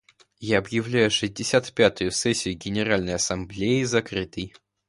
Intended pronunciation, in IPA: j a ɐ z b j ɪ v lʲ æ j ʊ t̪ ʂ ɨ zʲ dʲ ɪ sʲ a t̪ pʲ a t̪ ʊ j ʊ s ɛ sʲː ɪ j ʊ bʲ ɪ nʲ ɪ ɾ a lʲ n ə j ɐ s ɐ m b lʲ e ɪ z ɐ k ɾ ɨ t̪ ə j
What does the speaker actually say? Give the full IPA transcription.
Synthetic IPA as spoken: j a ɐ b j ɪ v lʲ æ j ʊ ʂ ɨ zʲ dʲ ɪ sʲ a t̪ pʲ a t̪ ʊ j ʊ s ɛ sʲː ɪ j ʊ ɡʲ ɪ nʲ ɪ ɾ a lʲ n ə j ɐ s ɐ m b lʲ e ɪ z ɐ k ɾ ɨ t̪ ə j